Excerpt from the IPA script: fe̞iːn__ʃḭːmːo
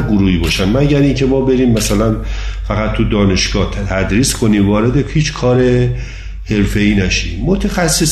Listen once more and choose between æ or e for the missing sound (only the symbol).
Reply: æ